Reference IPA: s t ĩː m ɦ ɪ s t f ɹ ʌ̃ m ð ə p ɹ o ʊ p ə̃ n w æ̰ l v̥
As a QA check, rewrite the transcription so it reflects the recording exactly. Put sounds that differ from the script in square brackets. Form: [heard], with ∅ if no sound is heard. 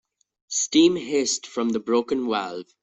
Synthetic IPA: s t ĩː m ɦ ɪ s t f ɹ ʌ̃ m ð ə [b] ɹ o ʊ [k] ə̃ n w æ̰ l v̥